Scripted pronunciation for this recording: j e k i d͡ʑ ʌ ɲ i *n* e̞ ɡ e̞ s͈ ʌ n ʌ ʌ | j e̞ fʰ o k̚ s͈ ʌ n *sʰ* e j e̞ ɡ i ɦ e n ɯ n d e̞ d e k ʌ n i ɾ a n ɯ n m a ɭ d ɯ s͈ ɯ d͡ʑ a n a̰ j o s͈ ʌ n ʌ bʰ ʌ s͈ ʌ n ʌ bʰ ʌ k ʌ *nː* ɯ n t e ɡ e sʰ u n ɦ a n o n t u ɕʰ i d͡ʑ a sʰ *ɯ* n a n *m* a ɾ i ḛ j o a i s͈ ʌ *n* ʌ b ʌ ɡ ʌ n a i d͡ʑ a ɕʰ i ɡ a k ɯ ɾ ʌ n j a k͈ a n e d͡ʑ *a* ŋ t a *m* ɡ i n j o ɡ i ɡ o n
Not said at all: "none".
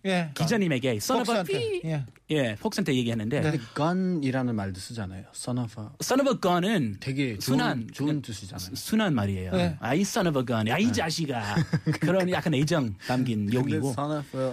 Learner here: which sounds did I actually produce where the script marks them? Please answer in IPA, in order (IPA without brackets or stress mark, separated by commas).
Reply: m, tʰ, n, u, m, n, ʌ, m